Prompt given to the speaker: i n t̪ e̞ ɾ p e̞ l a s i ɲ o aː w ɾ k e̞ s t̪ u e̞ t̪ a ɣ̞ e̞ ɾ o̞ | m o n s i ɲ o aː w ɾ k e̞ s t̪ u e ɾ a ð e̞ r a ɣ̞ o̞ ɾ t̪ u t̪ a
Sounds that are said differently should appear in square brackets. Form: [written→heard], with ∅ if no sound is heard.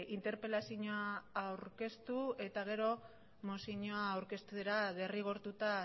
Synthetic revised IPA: i n t̪ e̞ ɾ p e̞ l a s i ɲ o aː w ɾ k e̞ s t̪ u e̞ t̪ a ɣ̞ e̞ ɾ o̞ | m o [n→∅] s i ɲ o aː w ɾ k e̞ s t̪ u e ɾ a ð e̞ r [a→i] ɣ̞ o̞ ɾ t̪ u t̪ a